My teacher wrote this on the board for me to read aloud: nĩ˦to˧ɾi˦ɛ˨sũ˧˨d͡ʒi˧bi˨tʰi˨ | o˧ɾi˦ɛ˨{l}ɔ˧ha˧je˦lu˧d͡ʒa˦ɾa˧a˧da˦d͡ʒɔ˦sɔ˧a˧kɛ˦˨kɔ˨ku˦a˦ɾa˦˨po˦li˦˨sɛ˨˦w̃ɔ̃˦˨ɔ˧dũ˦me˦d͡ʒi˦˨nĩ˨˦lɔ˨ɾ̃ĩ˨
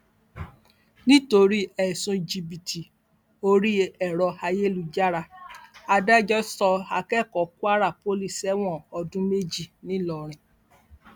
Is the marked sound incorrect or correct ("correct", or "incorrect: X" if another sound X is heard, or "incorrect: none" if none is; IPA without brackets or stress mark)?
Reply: incorrect: ɾ